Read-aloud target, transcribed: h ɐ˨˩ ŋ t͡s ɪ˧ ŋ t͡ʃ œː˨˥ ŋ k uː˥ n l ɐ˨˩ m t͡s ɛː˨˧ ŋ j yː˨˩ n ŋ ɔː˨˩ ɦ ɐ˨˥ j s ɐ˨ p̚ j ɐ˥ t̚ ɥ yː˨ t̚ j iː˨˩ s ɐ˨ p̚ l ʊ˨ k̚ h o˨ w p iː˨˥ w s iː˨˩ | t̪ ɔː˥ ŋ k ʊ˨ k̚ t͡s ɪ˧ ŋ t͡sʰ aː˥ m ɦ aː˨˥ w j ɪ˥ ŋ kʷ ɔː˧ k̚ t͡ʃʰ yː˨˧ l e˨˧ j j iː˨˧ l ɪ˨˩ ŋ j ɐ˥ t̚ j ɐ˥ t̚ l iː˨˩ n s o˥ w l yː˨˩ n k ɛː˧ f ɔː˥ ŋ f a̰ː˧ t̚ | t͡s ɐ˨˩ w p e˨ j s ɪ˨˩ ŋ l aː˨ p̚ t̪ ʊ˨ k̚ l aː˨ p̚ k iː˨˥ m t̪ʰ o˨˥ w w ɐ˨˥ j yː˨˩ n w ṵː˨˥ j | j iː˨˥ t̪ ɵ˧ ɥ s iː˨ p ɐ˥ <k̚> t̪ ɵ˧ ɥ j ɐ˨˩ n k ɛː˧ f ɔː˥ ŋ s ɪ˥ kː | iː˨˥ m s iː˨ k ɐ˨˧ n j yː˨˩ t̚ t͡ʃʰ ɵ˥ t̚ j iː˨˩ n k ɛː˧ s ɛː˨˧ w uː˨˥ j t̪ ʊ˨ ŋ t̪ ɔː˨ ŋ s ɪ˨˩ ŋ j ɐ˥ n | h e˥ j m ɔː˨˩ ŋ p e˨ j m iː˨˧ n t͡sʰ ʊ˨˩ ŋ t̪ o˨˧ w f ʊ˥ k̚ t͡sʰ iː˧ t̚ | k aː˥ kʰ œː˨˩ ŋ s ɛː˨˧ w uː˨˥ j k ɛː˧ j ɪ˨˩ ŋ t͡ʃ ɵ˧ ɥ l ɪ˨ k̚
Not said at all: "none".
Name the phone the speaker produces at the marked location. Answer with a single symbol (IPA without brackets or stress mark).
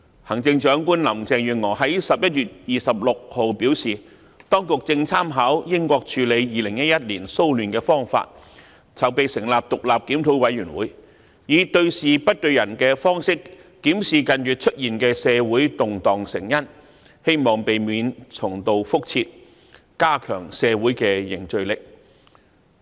t̚